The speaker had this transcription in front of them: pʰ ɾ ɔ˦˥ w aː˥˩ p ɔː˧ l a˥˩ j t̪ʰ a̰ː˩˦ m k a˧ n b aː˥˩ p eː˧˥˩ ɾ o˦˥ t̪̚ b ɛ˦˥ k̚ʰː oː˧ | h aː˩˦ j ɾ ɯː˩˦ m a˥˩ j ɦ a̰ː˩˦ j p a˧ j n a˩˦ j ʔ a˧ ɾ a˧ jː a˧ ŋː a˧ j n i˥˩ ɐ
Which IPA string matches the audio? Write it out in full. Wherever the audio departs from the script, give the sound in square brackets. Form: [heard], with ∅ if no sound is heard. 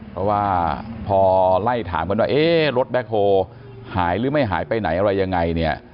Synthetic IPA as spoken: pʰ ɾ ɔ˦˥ w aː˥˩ [pʰ] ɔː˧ l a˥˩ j t̪ʰ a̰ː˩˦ m k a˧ n [w] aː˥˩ [ʔ] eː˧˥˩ ɾ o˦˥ t̪̚ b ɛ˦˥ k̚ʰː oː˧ | h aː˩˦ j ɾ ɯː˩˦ m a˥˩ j ɦ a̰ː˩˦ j p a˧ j n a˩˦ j ʔ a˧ ɾ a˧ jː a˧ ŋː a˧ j n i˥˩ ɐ